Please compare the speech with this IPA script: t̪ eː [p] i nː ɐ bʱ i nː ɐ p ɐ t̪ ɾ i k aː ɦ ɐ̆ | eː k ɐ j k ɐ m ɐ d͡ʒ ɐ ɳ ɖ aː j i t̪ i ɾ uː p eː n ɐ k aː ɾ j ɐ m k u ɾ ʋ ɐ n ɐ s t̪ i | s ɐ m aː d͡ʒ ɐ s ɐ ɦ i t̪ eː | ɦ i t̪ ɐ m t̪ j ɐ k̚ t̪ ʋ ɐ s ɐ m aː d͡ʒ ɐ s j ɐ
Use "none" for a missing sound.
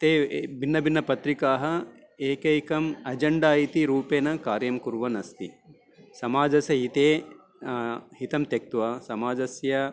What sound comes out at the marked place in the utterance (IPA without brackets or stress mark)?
b